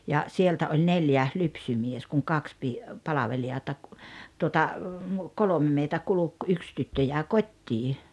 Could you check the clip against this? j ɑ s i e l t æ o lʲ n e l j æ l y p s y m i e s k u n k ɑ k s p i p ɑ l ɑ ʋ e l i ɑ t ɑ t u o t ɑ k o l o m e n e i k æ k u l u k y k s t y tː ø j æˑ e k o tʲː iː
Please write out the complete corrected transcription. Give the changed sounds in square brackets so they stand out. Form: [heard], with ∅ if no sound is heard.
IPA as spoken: j ɑ s i e l t æ o lʲ n e l j æ l y p s y m i e s k u [ŋ] k ɑ k s p i p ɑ l ɑ ʋ e l i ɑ t ɑ t u o t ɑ k o l o m e [m] e i [t] æ k u l u k y k s t y tː ø j æˑ e k o tʲː iː

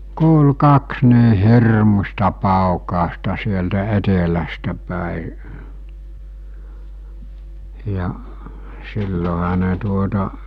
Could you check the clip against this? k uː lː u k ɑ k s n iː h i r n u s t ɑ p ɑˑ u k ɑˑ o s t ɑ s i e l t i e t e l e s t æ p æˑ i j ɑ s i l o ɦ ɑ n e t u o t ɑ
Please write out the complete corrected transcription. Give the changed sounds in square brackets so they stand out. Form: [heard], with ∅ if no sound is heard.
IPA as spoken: k uː [l] u k ɑ k s n iː h i r [m] u s t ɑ p ɑˑ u k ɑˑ o s t ɑ s i e l t [æ] e t e l [æ] s t æ p æˑ i j ɑ s i [lː] o ɦ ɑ n e t u o t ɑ

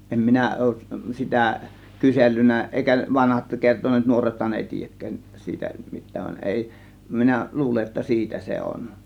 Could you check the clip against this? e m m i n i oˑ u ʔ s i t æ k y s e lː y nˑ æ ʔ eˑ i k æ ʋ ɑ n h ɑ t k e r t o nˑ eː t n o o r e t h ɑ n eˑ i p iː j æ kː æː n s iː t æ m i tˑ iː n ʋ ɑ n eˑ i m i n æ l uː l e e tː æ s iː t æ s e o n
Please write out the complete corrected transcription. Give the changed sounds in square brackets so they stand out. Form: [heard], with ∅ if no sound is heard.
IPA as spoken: e m m i n [æ] oˑ u ʔ s i t æ k y s e lː y nˑ æ ʔ eˑ i k æ ʋ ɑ n h ɑ t k e r t o nˑ eː t n [u] o r e t h ɑ n eˑ i [t] iː j æ kː æː n s iː t æ m i tˑ [æː] n ʋ ɑ n eˑ i m i n æ l uː l e e tː æ s iː t æ s e o n

